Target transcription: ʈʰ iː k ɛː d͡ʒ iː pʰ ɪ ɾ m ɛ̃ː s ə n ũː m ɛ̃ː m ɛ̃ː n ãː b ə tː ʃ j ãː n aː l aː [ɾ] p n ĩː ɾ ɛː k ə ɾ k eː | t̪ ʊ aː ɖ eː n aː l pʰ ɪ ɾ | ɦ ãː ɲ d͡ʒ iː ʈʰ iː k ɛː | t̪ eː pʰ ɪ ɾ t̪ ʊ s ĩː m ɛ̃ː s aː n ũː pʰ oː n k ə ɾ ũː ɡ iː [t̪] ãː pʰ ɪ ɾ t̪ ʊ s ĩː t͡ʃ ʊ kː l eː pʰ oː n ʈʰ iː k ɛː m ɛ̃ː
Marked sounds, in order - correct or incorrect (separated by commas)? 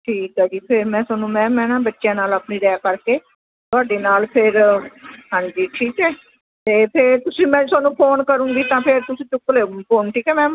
incorrect, correct